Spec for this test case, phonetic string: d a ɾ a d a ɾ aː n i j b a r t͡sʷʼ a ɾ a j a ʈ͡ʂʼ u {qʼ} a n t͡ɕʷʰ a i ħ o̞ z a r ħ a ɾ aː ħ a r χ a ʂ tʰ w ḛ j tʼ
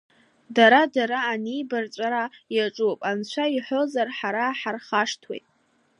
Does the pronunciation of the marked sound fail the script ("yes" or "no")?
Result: yes